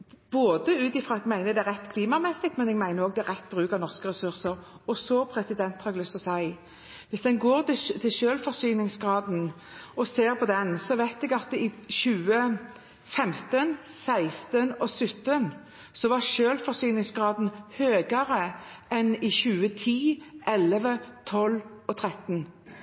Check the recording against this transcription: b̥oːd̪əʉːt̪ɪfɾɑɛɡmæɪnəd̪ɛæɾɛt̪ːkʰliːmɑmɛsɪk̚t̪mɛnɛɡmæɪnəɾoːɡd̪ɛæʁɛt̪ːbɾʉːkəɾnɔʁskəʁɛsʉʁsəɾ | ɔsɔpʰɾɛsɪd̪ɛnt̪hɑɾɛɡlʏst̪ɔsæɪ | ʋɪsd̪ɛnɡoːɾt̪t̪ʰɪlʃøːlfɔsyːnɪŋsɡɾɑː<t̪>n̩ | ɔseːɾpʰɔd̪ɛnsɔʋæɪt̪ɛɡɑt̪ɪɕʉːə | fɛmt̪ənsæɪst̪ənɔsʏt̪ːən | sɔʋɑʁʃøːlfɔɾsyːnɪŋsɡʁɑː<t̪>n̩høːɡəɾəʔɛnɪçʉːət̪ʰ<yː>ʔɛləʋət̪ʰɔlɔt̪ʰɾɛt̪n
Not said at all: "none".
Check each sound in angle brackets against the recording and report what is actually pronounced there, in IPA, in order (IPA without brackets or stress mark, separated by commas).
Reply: d̪, d̪, iː